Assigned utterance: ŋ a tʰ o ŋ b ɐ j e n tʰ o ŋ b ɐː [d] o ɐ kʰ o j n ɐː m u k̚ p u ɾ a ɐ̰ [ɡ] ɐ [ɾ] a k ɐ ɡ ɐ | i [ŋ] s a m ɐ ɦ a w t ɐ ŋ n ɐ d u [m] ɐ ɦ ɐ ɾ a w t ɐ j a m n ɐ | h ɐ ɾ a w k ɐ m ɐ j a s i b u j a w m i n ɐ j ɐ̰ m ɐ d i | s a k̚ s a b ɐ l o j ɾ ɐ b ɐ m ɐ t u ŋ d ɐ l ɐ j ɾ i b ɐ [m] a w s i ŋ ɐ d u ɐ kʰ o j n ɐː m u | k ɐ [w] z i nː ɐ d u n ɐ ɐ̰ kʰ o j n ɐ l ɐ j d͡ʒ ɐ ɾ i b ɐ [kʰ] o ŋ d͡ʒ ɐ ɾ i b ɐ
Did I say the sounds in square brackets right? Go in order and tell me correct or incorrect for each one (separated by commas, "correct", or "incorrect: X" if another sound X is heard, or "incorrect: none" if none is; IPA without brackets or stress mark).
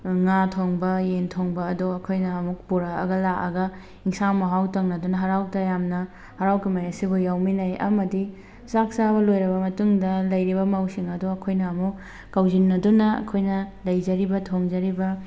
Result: correct, correct, incorrect: l, correct, incorrect: n, correct, correct, incorrect: tʰ